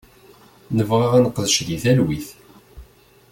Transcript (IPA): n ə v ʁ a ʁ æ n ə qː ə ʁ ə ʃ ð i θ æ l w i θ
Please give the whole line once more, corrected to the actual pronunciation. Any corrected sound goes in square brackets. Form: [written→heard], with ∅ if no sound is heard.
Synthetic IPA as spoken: n ə v ʁ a ʁ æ n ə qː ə [ʁ→ð] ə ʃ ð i θ æ l w i θ